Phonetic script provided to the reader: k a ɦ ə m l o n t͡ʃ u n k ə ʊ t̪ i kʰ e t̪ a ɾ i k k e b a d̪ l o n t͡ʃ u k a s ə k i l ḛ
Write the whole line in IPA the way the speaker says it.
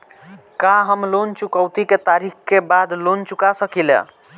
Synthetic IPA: k a ɦ ə m l o n t͡ʃ u k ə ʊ t̪ i k e t̪ a ɾ i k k e b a d̪ l o n t͡ʃ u k a s ə k i l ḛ